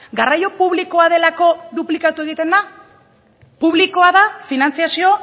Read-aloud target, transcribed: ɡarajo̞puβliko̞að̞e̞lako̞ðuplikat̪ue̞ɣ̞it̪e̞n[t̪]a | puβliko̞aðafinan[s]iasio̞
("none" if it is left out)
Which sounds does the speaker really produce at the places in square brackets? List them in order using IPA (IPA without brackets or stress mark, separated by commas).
d̪, t͡s